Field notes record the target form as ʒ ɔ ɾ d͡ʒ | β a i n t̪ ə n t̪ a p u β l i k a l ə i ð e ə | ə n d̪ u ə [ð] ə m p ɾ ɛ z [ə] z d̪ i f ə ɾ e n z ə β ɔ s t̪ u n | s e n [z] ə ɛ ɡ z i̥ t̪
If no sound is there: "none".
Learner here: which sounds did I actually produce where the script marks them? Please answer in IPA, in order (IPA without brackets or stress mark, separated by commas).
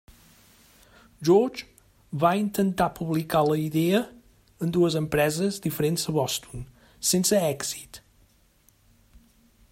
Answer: z, ə, s